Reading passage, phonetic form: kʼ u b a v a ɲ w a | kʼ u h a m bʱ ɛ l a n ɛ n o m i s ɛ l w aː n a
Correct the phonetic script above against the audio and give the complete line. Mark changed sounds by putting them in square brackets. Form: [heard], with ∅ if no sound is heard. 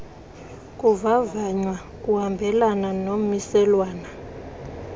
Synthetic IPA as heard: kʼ u [v] a v a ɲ w a | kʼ u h a m bʱ ɛ l a n [a] n o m i s ɛ l w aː n a